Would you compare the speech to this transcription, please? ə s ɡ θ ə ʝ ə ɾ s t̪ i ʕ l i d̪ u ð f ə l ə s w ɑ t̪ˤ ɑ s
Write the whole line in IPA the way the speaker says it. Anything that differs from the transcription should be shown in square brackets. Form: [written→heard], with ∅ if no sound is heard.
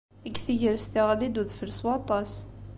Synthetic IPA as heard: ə [s→∅] ɡ θ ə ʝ ə ɾ s t̪ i [ʕ→ʁ] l i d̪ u ð f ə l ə s w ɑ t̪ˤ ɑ s